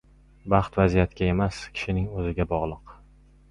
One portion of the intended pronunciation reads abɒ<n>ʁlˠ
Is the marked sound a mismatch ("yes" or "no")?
yes